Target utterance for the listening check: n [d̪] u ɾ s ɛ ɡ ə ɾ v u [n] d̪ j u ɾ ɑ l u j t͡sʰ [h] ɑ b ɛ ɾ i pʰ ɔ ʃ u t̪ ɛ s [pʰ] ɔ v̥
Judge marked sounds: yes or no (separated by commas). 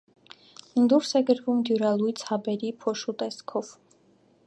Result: yes, no, yes, no